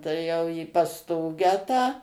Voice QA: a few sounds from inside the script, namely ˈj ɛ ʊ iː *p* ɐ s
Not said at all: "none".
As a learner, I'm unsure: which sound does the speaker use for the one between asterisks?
p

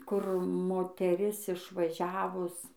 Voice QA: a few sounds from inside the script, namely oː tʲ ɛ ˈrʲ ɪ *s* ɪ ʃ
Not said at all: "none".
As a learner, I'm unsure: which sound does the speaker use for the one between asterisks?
s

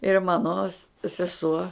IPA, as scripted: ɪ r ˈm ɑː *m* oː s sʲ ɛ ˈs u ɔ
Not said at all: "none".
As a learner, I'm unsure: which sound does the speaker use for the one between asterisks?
n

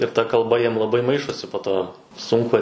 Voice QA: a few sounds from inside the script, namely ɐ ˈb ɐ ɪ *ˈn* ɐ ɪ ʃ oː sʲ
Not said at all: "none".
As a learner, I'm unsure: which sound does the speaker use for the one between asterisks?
m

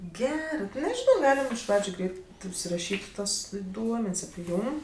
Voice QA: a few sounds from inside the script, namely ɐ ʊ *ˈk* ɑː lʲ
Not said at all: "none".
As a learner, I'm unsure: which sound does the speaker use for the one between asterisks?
ɡ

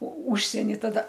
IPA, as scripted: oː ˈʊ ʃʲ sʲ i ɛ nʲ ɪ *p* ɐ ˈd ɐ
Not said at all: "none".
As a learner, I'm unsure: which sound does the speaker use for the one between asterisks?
t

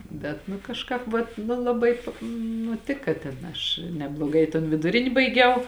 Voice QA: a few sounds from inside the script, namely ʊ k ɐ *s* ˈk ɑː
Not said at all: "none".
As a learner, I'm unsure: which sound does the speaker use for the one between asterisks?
ʃ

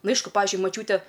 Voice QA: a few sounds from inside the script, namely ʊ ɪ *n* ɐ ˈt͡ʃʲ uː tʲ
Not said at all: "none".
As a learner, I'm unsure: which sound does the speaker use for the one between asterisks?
m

